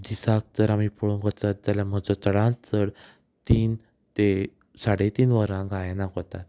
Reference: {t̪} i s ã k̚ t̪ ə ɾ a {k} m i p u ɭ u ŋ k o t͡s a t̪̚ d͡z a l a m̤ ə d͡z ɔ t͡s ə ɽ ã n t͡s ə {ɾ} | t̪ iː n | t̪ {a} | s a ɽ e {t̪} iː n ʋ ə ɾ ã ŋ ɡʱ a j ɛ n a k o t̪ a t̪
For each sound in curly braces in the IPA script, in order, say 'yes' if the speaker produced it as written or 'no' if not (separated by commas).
no, no, no, no, yes